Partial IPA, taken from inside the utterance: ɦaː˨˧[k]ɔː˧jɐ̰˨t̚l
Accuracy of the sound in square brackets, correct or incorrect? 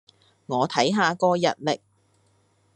correct